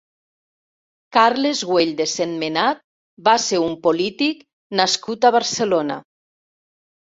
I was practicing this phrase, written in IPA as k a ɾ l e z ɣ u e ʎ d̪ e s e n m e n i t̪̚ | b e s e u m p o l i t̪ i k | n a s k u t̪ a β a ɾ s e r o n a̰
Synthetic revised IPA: k a ɾ l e z ɣ w e ʎ d̪ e s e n m e n a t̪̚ | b a s e u m p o l i t̪ i k | n a s k u t̪ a β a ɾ s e l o n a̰